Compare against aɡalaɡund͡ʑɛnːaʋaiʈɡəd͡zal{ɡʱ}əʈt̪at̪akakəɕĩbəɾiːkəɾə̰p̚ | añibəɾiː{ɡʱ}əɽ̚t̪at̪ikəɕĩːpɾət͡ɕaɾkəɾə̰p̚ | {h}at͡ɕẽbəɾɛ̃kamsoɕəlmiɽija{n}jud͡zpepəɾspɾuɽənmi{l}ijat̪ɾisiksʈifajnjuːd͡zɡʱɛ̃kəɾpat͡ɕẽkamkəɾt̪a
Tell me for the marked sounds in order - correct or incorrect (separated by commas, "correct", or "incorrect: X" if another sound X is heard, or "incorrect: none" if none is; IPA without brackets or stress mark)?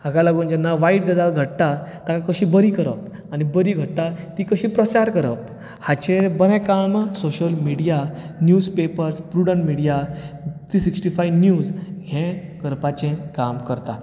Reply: correct, correct, correct, correct, incorrect: ɽ